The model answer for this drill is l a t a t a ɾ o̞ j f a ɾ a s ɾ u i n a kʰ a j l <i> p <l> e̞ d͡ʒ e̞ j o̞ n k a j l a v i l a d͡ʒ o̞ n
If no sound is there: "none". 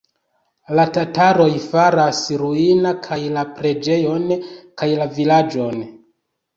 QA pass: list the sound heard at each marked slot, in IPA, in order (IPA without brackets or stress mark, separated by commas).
a, ɾ